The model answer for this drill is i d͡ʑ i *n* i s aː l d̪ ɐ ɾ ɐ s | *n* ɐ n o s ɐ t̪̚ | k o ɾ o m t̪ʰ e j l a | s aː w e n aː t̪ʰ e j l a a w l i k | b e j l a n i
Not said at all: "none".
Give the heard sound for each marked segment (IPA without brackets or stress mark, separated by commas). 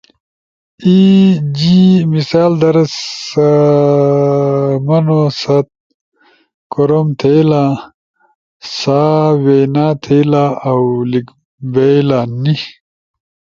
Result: m, m